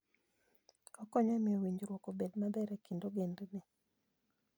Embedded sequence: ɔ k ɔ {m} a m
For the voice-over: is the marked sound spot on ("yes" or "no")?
no